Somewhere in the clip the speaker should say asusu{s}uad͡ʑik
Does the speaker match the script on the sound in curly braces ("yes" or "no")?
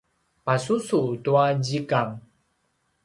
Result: no